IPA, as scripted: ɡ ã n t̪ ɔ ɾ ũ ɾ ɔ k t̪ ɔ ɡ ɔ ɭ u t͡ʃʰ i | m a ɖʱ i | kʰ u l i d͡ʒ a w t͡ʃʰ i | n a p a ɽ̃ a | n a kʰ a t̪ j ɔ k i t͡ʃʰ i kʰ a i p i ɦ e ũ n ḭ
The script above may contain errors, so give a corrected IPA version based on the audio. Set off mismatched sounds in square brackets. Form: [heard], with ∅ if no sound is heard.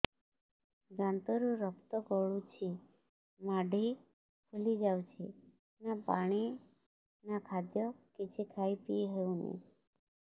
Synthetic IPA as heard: ɡ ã n t̪ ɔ ɾ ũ ɾ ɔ k t̪ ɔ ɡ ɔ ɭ u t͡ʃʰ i | m a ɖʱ i | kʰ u l i d͡ʒ a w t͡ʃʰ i | n a p a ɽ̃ [i] | n a kʰ a [d̪] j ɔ k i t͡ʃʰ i kʰ a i p i ɦ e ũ n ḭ